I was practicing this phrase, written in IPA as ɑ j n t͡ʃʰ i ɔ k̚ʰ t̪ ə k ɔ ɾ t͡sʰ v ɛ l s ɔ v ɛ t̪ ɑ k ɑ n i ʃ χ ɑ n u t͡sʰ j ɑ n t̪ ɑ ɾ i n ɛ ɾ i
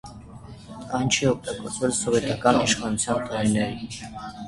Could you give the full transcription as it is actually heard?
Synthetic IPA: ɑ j n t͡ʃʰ i ɔ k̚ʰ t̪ ɑ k ɔ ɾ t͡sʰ v ɛ l s ɔ v ɛ t̪ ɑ k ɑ n i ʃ χ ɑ n u t͡sʰ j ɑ n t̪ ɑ ɾ i n ɛ ɾ i